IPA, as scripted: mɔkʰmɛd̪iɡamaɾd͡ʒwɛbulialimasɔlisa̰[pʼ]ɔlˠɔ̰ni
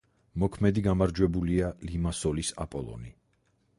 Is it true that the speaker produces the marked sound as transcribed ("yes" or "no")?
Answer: yes